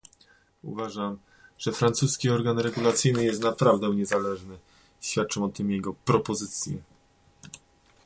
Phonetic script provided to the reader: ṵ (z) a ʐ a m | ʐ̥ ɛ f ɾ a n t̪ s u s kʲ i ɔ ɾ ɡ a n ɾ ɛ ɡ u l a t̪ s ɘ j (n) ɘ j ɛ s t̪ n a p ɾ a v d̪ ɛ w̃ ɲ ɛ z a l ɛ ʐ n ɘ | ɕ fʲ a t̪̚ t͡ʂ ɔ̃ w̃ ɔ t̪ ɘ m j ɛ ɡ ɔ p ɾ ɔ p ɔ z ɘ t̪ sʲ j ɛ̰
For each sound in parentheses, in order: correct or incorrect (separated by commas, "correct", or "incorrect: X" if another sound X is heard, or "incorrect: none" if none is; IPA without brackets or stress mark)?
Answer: incorrect: v, correct